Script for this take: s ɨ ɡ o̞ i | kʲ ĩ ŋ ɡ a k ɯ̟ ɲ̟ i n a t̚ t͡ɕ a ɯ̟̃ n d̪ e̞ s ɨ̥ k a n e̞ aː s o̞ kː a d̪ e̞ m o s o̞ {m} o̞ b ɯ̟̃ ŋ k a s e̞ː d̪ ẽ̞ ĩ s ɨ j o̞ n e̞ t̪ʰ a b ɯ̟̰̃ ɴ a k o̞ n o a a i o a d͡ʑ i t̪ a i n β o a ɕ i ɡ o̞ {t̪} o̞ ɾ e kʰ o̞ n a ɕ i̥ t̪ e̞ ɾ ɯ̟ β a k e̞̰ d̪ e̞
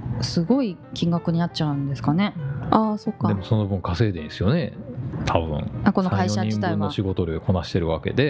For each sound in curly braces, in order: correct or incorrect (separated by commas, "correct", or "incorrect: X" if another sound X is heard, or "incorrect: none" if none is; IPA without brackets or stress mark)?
incorrect: n, correct